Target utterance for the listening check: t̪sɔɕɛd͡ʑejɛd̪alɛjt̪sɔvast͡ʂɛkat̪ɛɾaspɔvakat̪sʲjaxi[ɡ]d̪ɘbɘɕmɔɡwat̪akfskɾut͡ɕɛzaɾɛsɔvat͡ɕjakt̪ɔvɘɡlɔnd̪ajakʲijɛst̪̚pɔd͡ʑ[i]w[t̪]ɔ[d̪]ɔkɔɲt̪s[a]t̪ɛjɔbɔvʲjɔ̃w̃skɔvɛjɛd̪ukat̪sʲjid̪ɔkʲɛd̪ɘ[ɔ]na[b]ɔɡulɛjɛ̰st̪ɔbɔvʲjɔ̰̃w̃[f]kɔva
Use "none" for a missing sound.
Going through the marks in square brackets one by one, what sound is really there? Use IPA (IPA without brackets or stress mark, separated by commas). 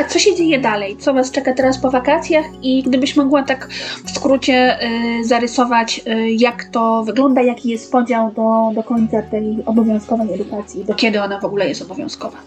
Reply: ɡ, a, d̪, d̪, a, ɔ, v, s